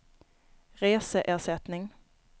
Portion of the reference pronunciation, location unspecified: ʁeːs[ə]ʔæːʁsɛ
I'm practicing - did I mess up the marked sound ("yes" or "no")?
no